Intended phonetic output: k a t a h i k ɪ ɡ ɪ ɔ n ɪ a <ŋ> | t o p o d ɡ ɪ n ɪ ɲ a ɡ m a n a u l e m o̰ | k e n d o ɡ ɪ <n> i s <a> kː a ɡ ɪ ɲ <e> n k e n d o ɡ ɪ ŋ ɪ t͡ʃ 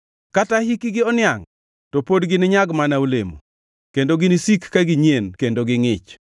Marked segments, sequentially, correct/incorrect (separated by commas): correct, correct, incorrect, correct